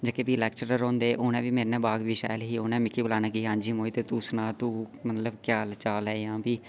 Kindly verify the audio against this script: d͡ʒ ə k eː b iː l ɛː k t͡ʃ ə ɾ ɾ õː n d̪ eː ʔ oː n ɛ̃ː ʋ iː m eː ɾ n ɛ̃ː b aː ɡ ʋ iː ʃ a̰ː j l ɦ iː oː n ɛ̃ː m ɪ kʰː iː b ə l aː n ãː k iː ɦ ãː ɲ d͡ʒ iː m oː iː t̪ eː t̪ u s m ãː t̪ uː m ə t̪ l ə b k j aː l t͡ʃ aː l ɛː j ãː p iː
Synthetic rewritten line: d͡ʒ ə k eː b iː l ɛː k t͡ʃ ə ɾ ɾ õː n d̪ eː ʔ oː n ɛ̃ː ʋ iː m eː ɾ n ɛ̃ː b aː ɡ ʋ iː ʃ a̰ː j l ɦ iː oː n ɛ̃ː m ɪ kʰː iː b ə l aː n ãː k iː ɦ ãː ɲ d͡ʒ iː m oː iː t̪ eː t̪ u s n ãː t̪ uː m ə t̪ l ə b k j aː l t͡ʃ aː l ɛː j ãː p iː